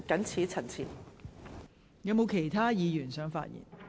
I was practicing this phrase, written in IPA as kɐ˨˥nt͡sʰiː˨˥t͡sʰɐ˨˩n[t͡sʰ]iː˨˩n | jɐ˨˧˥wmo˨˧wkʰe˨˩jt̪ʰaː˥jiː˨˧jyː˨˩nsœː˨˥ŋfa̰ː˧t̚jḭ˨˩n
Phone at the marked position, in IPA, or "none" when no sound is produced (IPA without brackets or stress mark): t͡sʰ